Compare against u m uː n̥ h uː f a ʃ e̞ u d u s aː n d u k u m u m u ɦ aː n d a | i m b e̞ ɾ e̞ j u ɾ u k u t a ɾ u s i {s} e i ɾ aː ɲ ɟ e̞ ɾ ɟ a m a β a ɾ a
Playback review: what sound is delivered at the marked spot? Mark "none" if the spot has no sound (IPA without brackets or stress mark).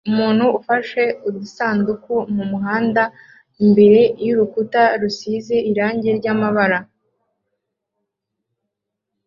z